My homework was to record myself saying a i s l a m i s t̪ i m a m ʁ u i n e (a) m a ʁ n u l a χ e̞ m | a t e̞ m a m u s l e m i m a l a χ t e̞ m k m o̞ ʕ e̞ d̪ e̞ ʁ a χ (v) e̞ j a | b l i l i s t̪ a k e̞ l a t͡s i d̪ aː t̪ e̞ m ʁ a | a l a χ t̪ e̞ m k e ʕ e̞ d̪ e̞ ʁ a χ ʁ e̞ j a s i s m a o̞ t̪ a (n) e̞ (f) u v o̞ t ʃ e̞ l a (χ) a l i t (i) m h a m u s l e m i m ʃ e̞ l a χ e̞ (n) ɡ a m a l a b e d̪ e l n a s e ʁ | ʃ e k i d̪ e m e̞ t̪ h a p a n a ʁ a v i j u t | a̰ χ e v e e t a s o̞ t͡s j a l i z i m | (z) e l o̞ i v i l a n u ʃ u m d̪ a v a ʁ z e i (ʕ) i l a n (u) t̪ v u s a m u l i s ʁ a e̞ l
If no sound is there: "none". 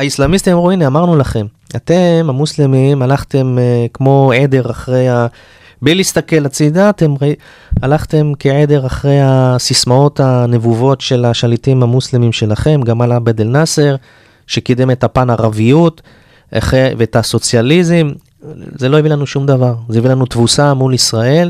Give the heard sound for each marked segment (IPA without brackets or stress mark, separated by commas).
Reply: a, ʁ, n, v, ʃ, i, m, z, v, u